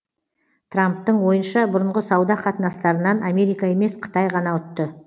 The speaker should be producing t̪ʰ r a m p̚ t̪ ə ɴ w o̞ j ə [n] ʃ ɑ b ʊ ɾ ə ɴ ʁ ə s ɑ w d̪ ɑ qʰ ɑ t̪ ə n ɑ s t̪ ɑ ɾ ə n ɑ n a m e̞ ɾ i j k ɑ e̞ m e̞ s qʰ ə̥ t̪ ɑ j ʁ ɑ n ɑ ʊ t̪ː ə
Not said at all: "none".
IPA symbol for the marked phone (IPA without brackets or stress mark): n